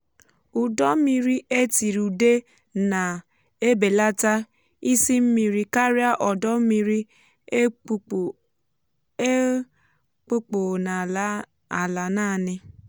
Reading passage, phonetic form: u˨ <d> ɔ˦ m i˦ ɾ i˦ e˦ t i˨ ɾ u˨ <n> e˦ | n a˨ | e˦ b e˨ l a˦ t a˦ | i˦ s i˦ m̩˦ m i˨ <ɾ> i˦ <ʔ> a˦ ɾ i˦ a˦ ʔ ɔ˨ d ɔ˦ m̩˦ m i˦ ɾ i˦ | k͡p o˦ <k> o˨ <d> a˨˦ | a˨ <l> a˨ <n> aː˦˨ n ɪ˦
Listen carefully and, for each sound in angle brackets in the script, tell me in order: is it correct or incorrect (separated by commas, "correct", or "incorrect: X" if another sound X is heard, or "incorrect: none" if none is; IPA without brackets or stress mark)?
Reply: correct, incorrect: d, correct, incorrect: k, incorrect: k͡p, incorrect: n, correct, correct